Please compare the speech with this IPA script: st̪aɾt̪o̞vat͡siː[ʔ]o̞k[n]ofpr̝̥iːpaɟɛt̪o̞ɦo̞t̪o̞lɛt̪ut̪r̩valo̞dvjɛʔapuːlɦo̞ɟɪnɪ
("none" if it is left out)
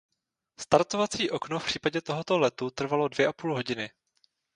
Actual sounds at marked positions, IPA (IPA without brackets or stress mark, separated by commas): ʔ, n